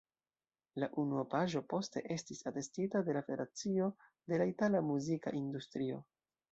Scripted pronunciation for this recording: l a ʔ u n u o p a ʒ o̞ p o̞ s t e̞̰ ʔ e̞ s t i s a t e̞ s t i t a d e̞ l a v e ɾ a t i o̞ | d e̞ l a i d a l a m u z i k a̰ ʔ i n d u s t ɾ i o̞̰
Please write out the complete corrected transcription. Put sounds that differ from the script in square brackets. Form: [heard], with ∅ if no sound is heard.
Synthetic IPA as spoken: l a ʔ u n u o p a ʒ o̞ p o̞ s t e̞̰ ʔ e̞ s t i s a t e̞ s t i t a d e̞ l a [f] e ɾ a [t͡s] i o̞ | d e̞ l a i [t] a l a m u z i k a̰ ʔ i n d u s t ɾ i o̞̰